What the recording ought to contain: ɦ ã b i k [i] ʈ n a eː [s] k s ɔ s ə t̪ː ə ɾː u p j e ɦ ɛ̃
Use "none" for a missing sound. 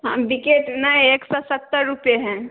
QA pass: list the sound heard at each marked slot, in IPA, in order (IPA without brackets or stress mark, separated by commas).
e, none